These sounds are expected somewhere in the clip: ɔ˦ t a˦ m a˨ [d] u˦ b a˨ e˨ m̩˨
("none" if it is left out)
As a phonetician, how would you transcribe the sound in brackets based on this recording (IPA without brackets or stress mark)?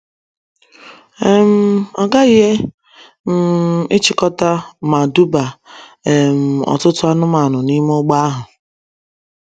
d